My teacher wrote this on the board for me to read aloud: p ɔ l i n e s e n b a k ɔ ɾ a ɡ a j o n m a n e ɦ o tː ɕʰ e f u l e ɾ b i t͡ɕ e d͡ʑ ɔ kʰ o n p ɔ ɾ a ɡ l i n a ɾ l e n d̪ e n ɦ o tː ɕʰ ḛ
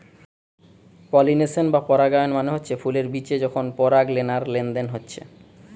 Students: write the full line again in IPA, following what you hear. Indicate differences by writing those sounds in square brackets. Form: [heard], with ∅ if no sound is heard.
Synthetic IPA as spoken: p ɔ l i n e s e n b a [p] ɔ ɾ a ɡ a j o n m a n e ɦ o tː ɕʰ e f u l e ɾ b i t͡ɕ e d͡ʑ ɔ kʰ o n p ɔ ɾ a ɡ l [e] n a ɾ l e n d̪ e n ɦ o tː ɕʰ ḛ